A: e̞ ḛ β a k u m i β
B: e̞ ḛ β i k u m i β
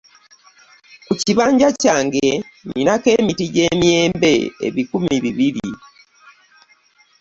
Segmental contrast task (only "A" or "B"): B